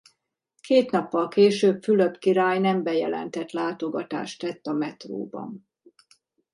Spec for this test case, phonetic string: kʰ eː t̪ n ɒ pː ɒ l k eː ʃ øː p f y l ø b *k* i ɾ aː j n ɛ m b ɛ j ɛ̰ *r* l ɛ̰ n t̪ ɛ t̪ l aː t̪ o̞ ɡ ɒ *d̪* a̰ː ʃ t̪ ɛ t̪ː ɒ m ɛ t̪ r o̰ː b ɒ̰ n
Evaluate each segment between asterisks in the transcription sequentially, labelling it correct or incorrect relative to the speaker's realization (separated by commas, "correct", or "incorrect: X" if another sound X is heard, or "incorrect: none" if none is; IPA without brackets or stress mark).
correct, incorrect: none, incorrect: t̪